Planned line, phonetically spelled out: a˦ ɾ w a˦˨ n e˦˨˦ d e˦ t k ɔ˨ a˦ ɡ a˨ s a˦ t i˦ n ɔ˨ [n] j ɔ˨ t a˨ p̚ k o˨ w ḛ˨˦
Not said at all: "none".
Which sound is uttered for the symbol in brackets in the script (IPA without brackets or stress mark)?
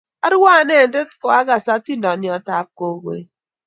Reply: n